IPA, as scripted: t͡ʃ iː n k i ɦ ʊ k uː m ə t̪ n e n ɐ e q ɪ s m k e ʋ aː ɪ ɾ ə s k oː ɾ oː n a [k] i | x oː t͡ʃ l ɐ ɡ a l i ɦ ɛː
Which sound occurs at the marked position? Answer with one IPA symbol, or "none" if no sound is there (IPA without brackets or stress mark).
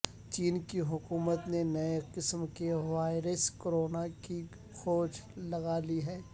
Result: k